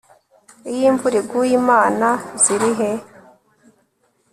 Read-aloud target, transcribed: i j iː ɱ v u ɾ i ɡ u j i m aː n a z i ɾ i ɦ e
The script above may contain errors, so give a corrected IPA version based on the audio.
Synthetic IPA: i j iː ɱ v u ɾ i ɡ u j i m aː n a z i ɾ i ɦ e